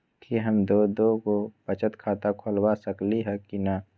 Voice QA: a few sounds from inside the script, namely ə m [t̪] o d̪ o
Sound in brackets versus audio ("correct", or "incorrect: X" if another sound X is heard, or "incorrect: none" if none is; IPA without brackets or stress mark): incorrect: d̪